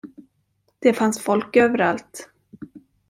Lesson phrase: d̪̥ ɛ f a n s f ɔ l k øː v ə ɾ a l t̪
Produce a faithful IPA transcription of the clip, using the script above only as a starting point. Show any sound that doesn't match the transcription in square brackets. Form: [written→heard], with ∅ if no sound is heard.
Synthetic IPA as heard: d̪̥ ɛ f a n s f ɔ l k øː v ə ɾ a l t̪